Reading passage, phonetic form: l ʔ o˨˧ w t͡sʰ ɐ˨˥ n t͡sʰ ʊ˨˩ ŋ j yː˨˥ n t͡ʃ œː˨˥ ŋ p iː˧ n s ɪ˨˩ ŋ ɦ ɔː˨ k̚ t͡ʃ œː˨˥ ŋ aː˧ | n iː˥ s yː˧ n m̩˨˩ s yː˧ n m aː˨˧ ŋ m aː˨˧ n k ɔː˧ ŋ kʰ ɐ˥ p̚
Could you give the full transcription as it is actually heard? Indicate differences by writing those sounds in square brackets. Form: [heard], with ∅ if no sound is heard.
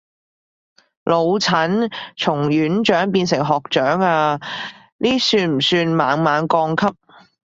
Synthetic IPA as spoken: l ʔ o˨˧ w t͡sʰ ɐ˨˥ n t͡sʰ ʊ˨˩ ŋ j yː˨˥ n t͡ʃ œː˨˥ ŋ p iː˧ n s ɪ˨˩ ŋ ɦ ɔː˨ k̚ t͡ʃ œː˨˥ ŋ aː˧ | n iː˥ s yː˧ n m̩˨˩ s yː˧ n m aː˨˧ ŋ m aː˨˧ n k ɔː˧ ŋ kʰ ɐ˥ p̚